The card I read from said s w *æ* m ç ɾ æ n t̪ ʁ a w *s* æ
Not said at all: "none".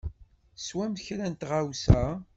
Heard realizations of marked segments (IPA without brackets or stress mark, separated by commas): æ, s